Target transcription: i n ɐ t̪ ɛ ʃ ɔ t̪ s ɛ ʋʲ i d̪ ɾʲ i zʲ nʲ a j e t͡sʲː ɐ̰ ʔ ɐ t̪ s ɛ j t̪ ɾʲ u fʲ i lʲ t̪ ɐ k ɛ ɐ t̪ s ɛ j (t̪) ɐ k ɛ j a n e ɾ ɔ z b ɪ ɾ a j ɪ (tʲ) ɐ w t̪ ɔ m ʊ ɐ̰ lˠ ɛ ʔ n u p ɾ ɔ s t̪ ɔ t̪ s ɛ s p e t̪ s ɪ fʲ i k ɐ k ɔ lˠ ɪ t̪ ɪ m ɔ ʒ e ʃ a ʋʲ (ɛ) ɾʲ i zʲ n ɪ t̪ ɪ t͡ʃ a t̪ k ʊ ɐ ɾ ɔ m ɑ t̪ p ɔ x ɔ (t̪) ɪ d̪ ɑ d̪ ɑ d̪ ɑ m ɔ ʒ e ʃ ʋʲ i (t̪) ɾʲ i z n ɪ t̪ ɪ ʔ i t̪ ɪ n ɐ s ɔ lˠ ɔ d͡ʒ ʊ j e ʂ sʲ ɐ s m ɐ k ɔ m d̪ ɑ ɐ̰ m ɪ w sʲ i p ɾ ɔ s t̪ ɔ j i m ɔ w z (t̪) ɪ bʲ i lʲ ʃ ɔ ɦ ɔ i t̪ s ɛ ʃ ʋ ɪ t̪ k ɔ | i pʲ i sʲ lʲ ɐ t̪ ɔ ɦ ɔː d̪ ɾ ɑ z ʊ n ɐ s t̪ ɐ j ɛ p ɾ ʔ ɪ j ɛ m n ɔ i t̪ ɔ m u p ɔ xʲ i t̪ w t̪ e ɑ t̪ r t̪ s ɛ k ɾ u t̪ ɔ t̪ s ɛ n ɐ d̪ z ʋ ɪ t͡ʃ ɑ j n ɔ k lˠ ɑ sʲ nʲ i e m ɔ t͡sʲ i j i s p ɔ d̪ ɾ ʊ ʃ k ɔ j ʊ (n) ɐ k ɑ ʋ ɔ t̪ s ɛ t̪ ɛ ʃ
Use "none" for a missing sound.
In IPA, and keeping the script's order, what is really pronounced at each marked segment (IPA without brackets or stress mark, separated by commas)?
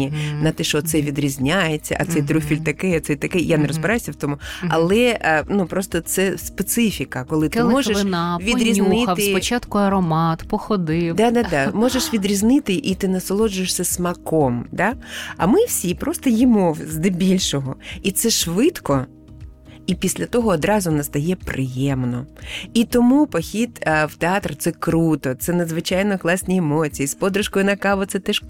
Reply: t̪, sʲ, i, d̪, d̪, d̪, n